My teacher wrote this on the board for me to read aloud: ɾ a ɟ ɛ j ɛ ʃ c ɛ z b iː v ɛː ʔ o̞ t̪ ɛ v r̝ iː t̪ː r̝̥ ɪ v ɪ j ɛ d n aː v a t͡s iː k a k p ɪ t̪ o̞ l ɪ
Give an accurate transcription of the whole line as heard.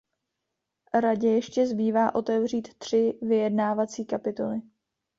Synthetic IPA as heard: ɾ a ɟ ɛ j ɛ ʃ c ɛ z b iː v aː ʔ o̞ t̪ ɛ v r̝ iː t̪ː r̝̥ ɪ v ɪ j ɛ d n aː v a t͡s iː k a p ɪ t̪ o̞ l ɪ